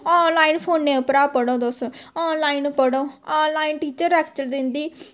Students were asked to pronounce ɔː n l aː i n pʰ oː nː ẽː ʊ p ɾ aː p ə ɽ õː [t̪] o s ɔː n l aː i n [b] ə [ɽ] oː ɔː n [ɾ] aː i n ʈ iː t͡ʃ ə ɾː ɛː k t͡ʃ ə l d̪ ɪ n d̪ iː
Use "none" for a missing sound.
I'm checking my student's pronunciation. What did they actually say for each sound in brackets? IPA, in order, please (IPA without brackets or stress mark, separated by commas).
d̪, p, ɽ, l